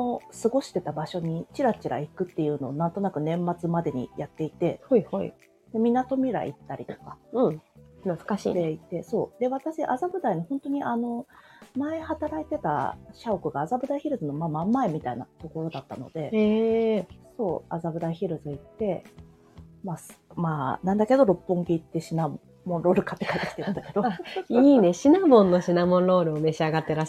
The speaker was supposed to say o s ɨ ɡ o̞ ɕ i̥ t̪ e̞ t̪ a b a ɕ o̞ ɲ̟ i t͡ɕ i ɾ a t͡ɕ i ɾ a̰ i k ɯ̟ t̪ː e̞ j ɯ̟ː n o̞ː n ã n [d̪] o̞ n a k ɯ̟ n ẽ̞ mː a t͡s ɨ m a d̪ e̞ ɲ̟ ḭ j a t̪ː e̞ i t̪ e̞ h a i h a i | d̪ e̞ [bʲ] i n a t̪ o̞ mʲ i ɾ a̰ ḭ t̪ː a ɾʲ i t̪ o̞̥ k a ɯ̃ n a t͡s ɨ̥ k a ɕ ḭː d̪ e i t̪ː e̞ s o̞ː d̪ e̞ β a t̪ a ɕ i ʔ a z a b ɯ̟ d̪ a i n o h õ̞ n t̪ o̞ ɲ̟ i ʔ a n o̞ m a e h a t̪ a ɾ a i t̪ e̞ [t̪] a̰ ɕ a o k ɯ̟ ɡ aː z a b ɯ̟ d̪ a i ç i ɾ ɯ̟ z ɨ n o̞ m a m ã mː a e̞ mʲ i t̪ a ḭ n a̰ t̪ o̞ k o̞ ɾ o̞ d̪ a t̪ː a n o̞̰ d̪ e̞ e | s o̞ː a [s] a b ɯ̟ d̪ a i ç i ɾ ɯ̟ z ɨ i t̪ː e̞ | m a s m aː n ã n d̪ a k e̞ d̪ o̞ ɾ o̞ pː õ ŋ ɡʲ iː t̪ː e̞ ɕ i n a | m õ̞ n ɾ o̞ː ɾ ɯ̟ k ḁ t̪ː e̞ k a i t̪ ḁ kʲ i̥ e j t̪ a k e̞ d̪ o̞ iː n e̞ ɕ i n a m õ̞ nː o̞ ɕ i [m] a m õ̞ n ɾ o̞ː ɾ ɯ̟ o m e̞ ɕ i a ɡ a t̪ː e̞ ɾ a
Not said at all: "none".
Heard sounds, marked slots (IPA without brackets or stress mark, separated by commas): t̪, mʲ, t̪, z, n